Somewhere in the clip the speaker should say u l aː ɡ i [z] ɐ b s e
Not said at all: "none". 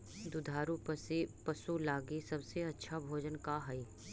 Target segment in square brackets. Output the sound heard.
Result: s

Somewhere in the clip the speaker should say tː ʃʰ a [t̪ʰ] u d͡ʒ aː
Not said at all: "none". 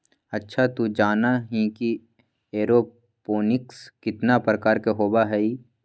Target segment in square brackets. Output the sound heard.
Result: t̪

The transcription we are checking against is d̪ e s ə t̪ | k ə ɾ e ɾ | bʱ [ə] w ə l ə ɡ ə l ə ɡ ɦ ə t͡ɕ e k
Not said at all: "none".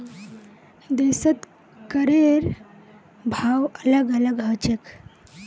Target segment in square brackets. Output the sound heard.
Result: a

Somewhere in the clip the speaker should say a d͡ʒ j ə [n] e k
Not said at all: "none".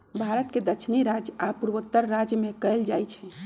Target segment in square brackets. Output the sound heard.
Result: m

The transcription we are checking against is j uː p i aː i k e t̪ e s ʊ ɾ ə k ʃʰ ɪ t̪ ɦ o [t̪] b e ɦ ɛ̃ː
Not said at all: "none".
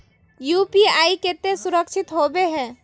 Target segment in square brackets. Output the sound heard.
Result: none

